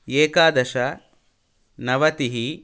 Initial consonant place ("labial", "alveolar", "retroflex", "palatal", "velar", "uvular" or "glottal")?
velar